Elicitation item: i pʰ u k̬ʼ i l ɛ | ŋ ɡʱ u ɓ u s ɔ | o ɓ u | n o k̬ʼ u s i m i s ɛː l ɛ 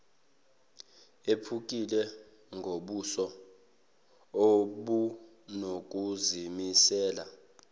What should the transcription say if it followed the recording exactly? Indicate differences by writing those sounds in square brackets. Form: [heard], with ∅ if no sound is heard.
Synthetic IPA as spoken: [e] pʰ u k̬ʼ i l ɛ | ŋ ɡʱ [o] ɓ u s ɔ | o ɓ u | n o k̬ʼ u [z] i m i s ɛː l [a]